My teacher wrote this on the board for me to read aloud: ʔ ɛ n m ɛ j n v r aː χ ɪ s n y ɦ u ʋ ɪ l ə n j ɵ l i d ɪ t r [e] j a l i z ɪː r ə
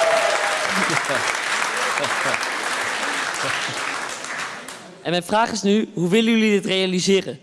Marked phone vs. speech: correct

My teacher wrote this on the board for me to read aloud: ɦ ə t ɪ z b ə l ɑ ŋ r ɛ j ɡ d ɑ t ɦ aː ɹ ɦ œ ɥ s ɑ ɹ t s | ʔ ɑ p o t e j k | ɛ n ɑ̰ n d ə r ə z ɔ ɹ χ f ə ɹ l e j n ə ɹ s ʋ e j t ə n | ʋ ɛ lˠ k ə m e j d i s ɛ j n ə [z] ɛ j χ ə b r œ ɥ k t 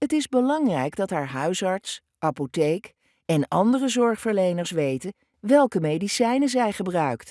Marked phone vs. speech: correct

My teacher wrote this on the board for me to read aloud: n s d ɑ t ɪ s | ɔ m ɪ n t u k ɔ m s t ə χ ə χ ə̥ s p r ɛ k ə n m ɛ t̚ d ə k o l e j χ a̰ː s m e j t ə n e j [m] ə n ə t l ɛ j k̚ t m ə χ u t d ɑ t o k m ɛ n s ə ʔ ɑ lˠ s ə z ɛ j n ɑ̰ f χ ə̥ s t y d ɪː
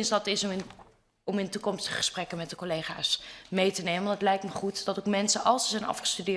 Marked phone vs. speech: correct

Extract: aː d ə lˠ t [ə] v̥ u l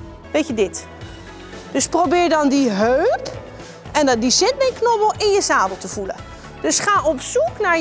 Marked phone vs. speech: correct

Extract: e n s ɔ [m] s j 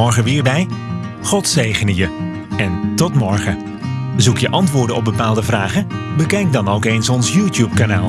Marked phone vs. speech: incorrect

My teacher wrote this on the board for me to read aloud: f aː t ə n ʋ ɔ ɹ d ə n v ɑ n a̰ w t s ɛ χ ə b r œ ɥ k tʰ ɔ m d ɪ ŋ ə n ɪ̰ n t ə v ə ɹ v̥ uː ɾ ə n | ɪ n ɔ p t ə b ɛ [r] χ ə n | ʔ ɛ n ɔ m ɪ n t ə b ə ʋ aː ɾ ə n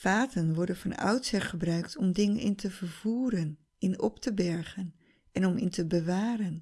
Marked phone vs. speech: incorrect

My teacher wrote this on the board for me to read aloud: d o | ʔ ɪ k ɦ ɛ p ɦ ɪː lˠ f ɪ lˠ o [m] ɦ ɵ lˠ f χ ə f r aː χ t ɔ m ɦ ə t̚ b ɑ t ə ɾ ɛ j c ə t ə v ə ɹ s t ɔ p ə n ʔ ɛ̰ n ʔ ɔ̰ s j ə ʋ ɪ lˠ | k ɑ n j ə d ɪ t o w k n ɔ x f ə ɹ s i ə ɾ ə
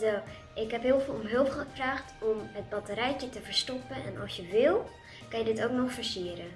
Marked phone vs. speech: correct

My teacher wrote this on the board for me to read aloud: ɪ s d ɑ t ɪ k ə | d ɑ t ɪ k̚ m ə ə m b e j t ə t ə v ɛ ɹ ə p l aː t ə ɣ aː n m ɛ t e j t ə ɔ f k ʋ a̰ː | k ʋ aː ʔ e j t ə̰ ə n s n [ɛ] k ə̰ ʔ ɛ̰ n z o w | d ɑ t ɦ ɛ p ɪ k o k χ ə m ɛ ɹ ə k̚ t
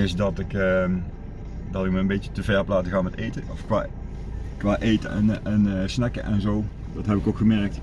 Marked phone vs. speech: correct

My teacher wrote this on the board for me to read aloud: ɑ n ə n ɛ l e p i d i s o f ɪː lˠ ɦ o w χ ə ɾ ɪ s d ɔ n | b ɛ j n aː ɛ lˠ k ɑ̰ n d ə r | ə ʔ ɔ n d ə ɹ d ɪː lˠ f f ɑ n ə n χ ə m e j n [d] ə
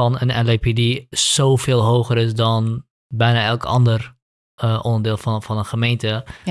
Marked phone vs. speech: incorrect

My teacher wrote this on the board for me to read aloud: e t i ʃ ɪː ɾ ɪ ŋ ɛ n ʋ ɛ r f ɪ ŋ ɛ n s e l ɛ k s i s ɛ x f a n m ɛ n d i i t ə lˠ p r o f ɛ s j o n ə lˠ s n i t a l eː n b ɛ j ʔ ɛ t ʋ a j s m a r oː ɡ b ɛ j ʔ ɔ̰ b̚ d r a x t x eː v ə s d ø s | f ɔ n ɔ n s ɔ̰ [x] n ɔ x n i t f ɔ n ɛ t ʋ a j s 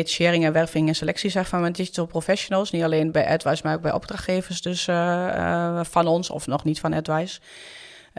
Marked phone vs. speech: incorrect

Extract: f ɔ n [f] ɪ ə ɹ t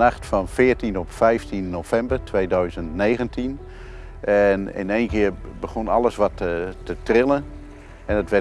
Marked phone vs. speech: correct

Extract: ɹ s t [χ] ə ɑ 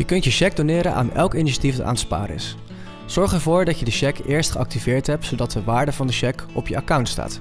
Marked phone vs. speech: correct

